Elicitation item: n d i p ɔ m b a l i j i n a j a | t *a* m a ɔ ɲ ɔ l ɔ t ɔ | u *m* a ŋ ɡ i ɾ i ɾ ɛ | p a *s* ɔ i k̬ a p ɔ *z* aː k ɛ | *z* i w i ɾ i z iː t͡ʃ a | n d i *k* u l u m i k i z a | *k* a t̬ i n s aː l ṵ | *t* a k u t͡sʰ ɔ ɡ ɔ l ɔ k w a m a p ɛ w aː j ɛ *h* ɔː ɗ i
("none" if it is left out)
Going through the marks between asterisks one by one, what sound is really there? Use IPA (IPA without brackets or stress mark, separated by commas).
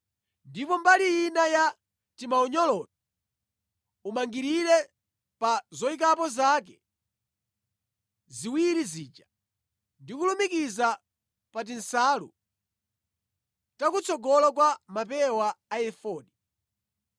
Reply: i, m, z, z, z, k, p, t, f